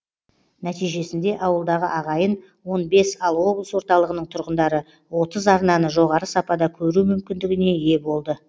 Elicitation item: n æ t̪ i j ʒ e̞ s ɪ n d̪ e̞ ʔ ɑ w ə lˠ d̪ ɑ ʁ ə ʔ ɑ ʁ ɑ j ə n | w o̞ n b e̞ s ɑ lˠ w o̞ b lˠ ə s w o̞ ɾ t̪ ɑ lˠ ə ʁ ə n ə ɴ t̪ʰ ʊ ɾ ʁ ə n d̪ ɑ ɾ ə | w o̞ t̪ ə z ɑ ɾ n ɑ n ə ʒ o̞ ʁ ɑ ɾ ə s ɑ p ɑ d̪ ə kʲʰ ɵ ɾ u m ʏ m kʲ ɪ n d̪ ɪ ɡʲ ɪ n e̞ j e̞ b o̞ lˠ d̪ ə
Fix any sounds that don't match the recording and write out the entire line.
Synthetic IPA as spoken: n æ t̪ i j ʒ e̞ s ɪ n d̪ e̞ ʔ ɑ w ə lˠ d̪ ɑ ʁ ə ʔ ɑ ʁ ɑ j ə n | w o̞ n b e̞ s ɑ lˠ w o̞ b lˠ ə s w o̞ ɾ t̪ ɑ lˠ ə ʁ ə n ə ɴ t̪ʰ ʊ ɾ ʁ ə n d̪ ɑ ɾ ə | w o̞ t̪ ə z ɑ ɾ n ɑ n ə ʒ o̞ ʁ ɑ ɾ ə s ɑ p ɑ d̪ ɑ kʲʰ ɵ ɾ u m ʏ m kʲ ɪ n d̪ ɪ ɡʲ ɪ n e̞ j e̞ b o̞ lˠ d̪ ə